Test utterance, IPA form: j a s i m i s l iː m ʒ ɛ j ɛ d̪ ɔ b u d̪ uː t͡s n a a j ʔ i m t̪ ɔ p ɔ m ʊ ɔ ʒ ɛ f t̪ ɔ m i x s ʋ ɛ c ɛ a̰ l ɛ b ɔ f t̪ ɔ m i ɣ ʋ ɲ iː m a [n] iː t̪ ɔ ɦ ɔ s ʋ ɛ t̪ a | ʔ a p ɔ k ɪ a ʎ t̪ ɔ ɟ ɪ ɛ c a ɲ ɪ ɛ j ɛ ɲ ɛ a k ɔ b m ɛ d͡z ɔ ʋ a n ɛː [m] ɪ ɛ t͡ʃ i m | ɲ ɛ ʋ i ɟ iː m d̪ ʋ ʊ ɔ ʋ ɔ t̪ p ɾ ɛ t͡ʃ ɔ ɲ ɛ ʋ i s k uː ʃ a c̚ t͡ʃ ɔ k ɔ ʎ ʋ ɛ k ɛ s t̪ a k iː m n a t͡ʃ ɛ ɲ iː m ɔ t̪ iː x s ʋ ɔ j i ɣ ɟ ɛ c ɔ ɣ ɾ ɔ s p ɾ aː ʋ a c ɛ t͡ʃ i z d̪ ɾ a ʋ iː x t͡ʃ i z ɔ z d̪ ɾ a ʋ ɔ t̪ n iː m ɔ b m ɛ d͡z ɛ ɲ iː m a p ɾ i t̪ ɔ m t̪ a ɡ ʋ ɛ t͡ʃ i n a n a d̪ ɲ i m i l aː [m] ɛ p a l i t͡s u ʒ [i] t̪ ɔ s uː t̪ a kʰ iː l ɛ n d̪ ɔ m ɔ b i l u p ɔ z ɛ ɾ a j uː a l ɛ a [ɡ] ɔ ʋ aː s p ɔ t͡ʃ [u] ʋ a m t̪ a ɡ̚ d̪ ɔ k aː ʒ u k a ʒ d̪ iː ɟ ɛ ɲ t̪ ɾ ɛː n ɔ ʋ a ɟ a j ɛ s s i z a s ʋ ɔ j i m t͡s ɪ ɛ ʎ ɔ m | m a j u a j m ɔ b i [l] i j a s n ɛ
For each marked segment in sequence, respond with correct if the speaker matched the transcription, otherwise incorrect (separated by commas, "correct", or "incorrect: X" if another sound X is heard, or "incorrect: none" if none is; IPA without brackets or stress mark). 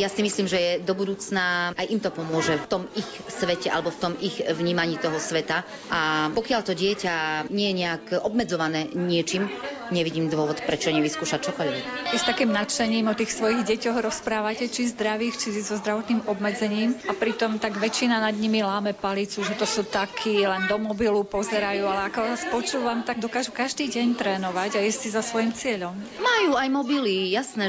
incorrect: ɲ, incorrect: ɲ, correct, incorrect: ɛ, incorrect: k, incorrect: uː, correct